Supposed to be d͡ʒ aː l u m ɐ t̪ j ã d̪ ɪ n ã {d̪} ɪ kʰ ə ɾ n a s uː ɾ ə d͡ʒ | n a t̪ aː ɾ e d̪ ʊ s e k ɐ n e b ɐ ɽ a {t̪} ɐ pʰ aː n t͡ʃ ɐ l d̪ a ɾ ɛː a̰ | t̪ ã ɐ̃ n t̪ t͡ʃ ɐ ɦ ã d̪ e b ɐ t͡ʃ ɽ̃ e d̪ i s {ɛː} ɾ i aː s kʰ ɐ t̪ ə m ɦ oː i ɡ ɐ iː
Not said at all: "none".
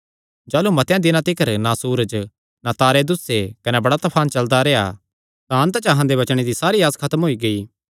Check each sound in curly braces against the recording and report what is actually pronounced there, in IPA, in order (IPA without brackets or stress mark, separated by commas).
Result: t̪, t̪, aː